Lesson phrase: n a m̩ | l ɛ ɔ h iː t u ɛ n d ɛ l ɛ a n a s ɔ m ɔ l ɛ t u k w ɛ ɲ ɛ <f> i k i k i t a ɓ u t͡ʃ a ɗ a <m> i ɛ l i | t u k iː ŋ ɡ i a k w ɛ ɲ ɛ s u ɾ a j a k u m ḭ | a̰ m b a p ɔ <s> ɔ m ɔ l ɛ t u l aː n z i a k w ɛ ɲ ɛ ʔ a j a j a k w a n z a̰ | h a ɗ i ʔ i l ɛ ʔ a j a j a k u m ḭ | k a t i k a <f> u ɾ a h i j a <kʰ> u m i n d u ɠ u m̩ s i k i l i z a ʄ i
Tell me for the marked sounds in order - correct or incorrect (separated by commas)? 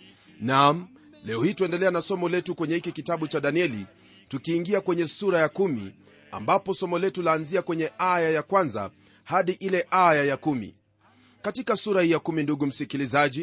incorrect, incorrect, correct, incorrect, incorrect